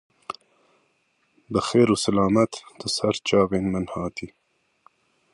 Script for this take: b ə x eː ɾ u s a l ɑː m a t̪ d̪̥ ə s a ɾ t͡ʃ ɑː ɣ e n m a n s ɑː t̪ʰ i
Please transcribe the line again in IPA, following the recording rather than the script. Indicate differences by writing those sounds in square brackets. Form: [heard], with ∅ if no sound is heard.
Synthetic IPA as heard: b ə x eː ɾ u s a l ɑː m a t̪ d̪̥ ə s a ɾ t͡ʃ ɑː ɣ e n m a n [h] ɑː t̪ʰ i

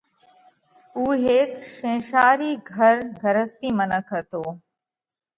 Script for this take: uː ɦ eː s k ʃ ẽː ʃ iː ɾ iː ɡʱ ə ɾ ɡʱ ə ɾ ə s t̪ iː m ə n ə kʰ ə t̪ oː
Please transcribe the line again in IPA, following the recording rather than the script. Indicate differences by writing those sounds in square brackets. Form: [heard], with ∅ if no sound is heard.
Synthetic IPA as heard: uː ɦ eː [∅] k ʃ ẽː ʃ [aː] ɾ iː ɡʱ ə ɾ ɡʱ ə ɾ ə s t̪ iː m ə n ə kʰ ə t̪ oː

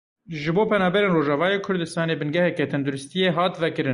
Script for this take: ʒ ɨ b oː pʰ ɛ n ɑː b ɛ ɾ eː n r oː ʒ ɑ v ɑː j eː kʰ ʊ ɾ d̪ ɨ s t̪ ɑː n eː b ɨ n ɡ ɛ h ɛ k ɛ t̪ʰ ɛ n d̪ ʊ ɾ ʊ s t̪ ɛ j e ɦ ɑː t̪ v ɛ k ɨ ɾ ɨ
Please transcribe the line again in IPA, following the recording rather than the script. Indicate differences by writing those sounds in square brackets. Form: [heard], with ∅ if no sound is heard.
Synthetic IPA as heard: ʒ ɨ b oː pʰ ɛ n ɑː b ɛ ɾ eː n r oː ʒ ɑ v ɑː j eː kʰ ʊ ɾ d̪ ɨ s t̪ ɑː n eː b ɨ n ɡ ɛ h ɛ k ɛ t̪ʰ ɛ n d̪ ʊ ɾ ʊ s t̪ [i] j e ɦ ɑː t̪ v ɛ k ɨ ɾ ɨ

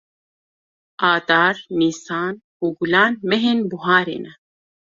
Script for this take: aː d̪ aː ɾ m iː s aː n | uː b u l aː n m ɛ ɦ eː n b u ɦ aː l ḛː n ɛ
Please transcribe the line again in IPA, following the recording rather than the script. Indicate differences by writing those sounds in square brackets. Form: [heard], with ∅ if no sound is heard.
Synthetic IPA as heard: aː d̪ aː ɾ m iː s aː n | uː [ɡ] u l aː n m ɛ ɦ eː n b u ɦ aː [ɾ] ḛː n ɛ

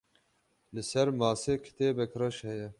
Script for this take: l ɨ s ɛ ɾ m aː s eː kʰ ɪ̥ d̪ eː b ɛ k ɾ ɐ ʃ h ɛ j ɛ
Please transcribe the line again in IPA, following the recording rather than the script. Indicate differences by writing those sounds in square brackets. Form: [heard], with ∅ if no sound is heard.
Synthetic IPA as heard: l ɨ s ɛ ɾ m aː s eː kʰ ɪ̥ [t̪] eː b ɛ k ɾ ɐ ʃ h ɛ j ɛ

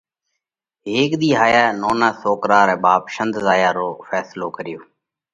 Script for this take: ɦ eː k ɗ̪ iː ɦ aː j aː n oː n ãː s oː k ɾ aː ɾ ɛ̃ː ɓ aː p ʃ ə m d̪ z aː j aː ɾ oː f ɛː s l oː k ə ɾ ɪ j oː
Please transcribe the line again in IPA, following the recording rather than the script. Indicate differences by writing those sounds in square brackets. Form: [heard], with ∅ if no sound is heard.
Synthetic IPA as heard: ɦ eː k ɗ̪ iː ɦ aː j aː n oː n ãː s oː k ɾ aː ɾ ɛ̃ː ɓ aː p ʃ ə [n] d̪ z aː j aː ɾ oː f ɛː s l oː k ə ɾ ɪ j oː

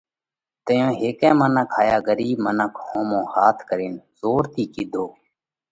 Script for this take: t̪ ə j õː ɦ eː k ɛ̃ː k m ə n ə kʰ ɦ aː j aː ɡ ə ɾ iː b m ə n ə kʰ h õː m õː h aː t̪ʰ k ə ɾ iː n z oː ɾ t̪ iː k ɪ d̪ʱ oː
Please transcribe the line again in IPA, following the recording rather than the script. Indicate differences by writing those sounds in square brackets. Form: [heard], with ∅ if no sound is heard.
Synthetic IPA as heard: t̪ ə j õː ɦ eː k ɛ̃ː [∅] m ə n ə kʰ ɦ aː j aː ɡ ə ɾ iː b m ə n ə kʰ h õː m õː h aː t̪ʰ k ə ɾ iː n z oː ɾ t̪ iː k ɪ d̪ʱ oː

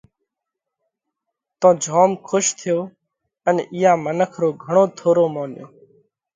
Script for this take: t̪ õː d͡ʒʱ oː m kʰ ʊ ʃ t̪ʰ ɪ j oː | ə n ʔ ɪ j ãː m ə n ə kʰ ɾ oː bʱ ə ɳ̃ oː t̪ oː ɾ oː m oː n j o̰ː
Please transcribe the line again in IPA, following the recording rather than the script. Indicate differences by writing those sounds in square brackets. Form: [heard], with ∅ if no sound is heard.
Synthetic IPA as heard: t̪ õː d͡ʒʱ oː m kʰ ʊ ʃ t̪ʰ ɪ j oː | ə n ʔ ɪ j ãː m ə n ə kʰ ɾ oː [ɡʱ] ə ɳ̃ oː [t̪ʰ] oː ɾ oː m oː n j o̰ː

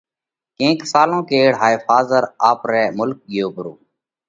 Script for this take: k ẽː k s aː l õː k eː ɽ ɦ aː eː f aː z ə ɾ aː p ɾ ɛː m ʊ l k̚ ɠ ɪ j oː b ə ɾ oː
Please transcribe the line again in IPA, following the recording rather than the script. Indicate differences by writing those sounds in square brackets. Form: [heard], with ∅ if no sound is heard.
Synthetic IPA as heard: k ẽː k s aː l õː k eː ɽ ɦ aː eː f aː z ə ɾ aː p ɾ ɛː m ʊ l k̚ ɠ ɪ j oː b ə ɾ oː

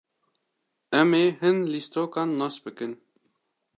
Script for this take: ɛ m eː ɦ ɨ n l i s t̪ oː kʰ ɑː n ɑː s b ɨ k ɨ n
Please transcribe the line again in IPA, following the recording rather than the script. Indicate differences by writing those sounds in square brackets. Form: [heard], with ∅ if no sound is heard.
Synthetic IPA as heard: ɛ m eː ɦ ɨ n l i s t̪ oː [k] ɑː [nː] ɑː s b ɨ k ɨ n

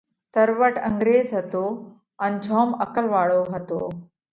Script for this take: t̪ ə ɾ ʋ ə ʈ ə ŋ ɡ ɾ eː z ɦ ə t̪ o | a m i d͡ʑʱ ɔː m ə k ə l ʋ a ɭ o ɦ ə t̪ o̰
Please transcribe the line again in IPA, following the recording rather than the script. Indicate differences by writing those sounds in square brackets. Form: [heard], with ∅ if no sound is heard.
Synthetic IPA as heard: t̪ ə ɾ ʋ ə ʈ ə ŋ ɡ ɾ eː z ɦ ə t̪ o | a [n] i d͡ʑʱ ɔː m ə k ə l ʋ a ɭ o ɦ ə t̪ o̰

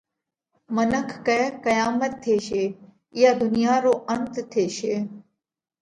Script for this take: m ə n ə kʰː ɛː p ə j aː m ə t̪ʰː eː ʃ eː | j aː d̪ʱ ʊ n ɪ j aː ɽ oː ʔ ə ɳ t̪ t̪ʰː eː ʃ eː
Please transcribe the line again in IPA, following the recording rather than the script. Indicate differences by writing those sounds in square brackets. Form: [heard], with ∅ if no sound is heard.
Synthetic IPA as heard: m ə n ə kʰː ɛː [k] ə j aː m ə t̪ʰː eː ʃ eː | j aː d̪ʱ ʊ n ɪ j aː [ɾ] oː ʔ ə [n] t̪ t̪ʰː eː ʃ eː

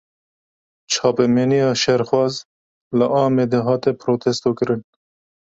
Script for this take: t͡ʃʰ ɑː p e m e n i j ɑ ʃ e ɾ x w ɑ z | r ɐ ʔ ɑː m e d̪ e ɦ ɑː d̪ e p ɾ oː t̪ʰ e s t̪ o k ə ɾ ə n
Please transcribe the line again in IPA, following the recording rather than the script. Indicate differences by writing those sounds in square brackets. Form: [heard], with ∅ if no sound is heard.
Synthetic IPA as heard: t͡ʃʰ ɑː p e m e n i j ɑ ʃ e ɾ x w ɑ z | [l] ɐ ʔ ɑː m e d̪ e ɦ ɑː [t̪] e p ɾ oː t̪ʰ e s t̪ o k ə ɾ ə n

